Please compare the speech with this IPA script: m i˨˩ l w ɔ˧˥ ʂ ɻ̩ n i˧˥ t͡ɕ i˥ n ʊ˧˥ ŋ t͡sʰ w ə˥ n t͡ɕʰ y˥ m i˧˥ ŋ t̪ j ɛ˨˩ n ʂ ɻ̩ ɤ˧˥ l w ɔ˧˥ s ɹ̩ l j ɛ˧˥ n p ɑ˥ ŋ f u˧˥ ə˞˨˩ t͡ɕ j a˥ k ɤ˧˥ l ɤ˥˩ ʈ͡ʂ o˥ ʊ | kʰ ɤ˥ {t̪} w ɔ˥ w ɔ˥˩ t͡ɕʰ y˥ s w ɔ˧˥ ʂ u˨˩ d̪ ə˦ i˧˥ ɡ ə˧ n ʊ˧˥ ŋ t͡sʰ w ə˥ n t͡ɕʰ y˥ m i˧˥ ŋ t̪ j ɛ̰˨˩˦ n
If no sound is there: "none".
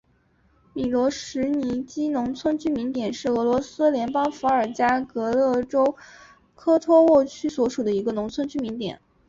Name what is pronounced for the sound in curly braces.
t̪ʰ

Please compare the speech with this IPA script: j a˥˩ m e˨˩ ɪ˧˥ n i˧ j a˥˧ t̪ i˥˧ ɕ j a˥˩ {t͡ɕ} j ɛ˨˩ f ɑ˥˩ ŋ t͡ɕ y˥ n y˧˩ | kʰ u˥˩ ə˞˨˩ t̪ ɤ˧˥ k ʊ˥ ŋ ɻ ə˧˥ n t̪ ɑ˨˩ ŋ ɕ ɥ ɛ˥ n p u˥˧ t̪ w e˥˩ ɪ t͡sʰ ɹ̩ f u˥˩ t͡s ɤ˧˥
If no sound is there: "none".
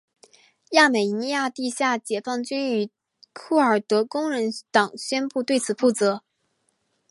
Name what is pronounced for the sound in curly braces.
t͡ɕ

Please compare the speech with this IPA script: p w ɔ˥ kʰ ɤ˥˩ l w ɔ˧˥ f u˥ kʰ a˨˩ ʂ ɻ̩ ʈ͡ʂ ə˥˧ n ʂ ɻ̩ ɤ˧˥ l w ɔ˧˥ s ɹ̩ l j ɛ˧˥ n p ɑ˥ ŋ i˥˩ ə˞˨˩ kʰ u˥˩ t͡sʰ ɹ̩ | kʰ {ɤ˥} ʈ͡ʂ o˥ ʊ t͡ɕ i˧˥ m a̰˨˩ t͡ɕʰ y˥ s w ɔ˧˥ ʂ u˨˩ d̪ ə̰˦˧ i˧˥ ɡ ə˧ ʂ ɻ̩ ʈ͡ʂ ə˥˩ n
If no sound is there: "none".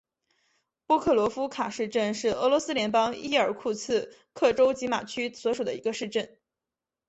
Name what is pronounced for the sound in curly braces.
ɤ˥˩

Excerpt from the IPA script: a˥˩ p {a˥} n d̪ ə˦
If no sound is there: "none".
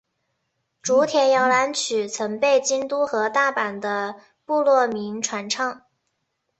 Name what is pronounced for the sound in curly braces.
a˨˩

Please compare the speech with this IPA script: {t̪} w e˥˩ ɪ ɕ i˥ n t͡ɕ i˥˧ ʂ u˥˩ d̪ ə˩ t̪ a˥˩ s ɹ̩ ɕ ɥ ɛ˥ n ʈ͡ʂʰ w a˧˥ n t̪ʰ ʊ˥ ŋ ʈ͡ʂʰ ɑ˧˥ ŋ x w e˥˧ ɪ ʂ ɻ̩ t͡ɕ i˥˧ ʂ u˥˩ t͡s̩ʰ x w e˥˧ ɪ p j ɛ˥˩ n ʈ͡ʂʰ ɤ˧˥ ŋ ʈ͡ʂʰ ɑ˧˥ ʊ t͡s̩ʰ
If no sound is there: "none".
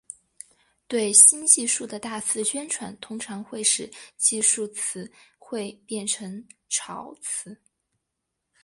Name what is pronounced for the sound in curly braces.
t̪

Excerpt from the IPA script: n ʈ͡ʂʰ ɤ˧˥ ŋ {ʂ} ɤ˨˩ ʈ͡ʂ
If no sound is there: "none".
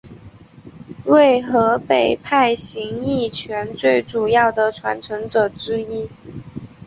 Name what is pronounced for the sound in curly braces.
ʈ͡ʂ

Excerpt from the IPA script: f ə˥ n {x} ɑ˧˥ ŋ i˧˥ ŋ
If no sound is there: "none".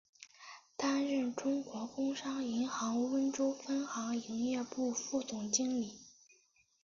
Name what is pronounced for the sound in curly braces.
x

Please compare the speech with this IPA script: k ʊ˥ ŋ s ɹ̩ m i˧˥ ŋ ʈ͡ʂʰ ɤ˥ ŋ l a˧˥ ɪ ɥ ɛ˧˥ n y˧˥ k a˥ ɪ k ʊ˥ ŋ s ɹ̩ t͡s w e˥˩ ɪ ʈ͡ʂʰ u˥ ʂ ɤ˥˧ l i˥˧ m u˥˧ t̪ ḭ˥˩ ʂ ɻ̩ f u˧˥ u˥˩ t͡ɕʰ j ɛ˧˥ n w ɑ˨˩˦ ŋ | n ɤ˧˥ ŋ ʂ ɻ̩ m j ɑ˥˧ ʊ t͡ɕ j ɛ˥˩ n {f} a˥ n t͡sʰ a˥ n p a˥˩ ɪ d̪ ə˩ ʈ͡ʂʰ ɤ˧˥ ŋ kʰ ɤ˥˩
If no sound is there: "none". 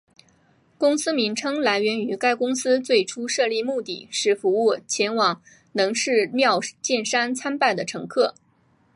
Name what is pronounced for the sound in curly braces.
ʂ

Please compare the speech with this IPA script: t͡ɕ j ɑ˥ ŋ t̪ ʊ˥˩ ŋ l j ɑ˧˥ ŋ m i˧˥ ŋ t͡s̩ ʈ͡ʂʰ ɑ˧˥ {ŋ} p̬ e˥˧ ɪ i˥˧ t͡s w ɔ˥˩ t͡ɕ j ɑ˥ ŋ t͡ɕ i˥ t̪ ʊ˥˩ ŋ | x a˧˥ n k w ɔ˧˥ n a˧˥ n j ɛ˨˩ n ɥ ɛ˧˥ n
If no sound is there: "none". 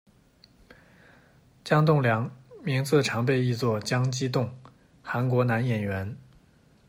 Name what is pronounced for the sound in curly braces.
ŋ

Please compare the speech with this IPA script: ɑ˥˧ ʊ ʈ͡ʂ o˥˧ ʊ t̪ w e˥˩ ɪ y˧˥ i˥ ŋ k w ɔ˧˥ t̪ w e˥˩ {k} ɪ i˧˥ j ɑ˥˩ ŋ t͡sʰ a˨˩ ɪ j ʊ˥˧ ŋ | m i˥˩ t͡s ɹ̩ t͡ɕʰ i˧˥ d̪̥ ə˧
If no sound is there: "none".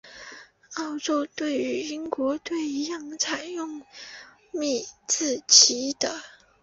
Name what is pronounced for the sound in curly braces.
none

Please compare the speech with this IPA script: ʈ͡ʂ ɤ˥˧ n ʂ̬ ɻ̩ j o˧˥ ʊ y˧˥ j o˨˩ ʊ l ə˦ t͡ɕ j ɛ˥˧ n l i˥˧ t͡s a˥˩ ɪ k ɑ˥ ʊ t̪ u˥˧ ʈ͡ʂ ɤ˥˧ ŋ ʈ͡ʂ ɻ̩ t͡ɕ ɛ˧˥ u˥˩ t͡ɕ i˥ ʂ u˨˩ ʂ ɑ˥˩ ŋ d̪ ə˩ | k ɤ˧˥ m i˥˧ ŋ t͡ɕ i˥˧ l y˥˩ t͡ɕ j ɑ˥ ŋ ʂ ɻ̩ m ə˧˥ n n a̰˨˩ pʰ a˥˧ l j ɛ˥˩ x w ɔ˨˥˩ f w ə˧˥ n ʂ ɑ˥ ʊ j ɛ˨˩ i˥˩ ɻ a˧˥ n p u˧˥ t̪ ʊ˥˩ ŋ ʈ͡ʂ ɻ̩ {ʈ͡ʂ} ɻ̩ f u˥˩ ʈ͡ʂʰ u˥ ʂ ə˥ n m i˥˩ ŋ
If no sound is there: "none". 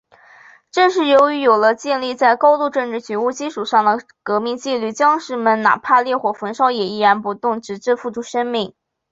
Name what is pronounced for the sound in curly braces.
ʈ͡ʂ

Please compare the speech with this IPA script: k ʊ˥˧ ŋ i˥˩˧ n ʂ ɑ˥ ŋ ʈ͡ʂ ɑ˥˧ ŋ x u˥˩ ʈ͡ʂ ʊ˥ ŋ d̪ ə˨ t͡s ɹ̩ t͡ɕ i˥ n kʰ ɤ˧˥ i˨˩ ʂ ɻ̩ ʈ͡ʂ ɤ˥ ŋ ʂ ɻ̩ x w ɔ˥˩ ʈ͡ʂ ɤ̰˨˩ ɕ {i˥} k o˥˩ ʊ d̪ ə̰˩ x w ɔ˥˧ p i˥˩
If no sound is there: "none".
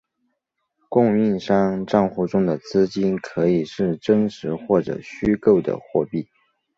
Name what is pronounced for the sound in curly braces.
y˥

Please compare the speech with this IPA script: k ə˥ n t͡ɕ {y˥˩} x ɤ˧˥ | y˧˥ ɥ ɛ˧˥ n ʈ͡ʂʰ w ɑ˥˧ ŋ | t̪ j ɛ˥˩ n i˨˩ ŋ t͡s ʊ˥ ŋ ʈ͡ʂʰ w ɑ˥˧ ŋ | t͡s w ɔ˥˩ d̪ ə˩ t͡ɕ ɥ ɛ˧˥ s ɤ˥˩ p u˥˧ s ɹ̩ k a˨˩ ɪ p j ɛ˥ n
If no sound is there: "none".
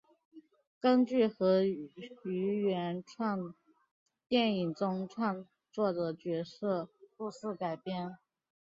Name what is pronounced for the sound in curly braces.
y˥˩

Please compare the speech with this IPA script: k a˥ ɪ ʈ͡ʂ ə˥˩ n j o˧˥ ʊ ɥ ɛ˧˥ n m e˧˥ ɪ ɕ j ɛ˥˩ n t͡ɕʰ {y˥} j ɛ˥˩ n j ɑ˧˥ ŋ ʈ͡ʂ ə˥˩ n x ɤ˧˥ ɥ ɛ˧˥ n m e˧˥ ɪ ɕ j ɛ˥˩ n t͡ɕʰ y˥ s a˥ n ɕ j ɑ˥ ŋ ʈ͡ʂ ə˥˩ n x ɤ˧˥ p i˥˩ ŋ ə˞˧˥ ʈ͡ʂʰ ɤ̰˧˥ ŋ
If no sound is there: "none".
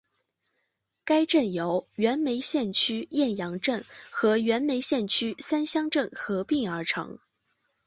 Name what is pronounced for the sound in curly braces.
y˥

